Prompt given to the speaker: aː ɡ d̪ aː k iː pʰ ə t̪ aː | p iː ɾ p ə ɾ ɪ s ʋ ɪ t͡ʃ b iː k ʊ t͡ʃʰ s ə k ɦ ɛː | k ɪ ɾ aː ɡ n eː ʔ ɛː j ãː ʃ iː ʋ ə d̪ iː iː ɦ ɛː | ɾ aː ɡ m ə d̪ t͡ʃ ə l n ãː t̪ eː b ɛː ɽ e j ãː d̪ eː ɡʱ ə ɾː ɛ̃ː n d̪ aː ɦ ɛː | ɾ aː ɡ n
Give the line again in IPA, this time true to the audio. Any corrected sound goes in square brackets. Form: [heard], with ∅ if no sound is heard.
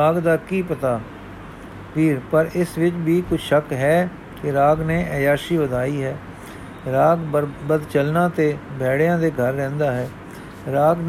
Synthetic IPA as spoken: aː ɡ d̪ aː k iː [p] ə t̪ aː | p iː ɾ p ə ɾ ɪ s ʋ ɪ t͡ʃ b iː k ʊ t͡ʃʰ [ʃ] ə k ɦ ɛː | k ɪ ɾ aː ɡ n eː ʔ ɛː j [aː] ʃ iː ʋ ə d̪ [aː] iː ɦ ɛː | ɾ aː ɡ [b] ə d̪ t͡ʃ ə l n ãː t̪ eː b ɛː ɽ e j ãː d̪ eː ɡʱ ə ɾː ɛ̃ː n d̪ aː ɦ ɛː | ɾ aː ɡ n